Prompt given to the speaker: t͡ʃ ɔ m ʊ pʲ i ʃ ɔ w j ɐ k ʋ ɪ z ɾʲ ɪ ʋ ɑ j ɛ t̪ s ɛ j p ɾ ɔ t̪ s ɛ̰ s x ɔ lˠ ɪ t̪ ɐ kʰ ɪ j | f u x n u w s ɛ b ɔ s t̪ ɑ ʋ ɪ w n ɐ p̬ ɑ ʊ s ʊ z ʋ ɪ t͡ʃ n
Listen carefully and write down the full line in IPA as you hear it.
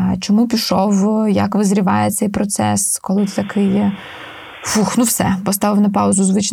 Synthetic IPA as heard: t͡ʃ ɔ m u pʲ i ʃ ɔ w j ɐ k ʋ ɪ z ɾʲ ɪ ʋ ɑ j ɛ t̪ s ɛ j p ɾ ɔ t̪ s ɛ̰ s k ɔ lˠ ɪ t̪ ɐ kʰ ɪ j | f u x n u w s ɛ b ɔ s t̪ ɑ ʋ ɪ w n ɐ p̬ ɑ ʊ z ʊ z ʋ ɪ t͡ʃ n